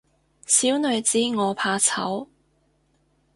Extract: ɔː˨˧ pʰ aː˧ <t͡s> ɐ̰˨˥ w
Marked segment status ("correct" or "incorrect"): incorrect